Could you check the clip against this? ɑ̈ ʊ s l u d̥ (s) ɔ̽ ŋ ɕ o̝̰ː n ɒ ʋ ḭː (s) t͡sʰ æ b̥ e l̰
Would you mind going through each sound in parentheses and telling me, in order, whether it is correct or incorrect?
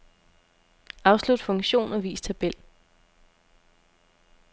incorrect: f, correct

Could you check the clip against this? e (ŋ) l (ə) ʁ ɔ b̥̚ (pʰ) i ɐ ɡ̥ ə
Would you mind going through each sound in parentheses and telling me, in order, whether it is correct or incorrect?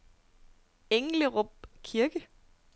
correct, correct, incorrect: kʰ

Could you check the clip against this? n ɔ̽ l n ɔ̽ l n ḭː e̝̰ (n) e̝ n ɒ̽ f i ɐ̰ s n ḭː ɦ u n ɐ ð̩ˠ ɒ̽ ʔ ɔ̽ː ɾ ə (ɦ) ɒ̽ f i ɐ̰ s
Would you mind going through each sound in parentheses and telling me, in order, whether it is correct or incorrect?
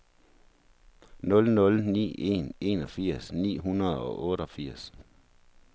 correct, incorrect: none

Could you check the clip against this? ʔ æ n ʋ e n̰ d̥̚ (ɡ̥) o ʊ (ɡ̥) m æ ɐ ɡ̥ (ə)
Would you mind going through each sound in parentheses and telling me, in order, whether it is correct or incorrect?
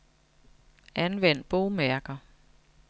incorrect: b̥, incorrect: none, incorrect: ɐ

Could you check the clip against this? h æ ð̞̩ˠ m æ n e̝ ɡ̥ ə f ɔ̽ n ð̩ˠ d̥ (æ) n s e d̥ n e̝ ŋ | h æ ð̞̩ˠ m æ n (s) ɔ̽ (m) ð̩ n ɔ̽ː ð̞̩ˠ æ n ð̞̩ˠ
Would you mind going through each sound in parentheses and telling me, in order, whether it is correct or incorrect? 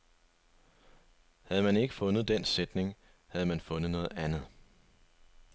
incorrect: e, incorrect: f, incorrect: n

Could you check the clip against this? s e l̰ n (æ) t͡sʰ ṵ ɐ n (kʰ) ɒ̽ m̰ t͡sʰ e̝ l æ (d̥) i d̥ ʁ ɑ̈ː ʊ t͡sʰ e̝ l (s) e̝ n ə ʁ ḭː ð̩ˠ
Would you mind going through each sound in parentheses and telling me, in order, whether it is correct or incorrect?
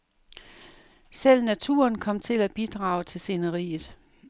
correct, correct, incorrect: b̥, correct

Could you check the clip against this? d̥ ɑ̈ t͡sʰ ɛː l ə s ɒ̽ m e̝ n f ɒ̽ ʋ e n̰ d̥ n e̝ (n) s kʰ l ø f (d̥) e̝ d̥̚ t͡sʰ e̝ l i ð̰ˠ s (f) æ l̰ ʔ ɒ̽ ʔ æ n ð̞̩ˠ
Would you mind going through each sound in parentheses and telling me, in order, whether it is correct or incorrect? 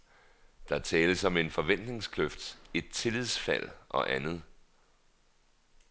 incorrect: ŋ, correct, correct

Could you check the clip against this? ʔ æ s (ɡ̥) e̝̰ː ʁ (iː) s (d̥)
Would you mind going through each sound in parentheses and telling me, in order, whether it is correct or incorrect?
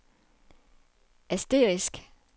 incorrect: d̥, incorrect: i, incorrect: ɡ̥

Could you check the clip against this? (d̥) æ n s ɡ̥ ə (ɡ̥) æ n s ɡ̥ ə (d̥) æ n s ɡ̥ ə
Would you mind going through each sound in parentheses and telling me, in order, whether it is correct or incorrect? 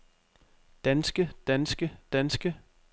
correct, incorrect: d̥, correct

